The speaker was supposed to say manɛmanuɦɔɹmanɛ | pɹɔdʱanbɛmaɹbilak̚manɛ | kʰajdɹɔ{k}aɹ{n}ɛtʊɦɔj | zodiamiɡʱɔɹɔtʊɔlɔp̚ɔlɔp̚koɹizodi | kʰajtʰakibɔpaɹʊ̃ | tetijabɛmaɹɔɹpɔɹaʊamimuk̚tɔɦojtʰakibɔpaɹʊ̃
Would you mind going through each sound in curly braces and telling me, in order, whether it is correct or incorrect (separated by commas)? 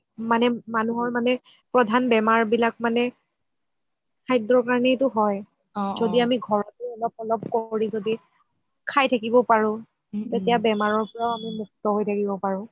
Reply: correct, correct